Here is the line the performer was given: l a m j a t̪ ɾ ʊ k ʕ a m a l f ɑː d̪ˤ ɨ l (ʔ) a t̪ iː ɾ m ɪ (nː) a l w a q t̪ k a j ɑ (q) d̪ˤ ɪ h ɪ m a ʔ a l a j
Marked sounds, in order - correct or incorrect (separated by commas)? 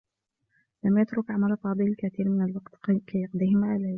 incorrect, incorrect, correct